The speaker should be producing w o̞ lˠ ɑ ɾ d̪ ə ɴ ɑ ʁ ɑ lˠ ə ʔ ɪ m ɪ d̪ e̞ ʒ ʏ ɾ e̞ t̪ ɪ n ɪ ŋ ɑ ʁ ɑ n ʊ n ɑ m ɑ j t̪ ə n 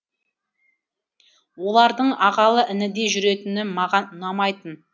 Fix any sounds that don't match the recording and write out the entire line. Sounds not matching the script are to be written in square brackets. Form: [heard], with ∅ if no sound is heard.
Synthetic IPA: w o̞ lˠ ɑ ɾ d̪ ə ɴ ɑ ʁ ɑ lˠ ə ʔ ɪ [n] ɪ d̪ e̞ ʒ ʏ ɾ e̞ t̪ ɪ n ɪ [m] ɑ ʁ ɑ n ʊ n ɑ m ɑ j t̪ ə n